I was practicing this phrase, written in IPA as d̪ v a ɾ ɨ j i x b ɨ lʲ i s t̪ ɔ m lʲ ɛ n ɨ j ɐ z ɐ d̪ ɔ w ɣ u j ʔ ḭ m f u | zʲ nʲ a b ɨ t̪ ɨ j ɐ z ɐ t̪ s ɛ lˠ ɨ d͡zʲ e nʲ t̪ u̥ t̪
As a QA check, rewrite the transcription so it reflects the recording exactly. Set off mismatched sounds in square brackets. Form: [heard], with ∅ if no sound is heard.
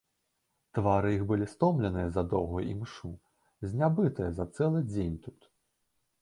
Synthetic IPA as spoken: [t̪] v a ɾ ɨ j i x b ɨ lʲ i s t̪ ɔ m lʲ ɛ n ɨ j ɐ z ɐ d̪ ɔ w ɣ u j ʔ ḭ m [ʂ] u | zʲ nʲ a b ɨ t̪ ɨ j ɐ z ɐ t̪ s ɛ lˠ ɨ d͡zʲ e nʲ t̪ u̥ t̪